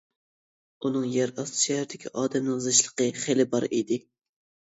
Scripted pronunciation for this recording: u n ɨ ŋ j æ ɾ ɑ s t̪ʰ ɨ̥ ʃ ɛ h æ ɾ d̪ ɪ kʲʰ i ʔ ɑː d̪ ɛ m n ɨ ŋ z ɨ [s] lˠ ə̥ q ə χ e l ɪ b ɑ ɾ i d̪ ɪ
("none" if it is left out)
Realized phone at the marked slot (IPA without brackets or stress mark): ʃ